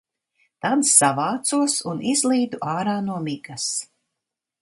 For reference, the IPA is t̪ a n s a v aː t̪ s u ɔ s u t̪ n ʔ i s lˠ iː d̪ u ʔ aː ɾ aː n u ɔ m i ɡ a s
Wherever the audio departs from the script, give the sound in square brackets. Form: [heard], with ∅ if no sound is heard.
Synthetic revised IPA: t̪ a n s a v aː t̪ s u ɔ s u [∅] n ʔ i [z] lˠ iː d̪ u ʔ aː ɾ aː n u ɔ m i ɡ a s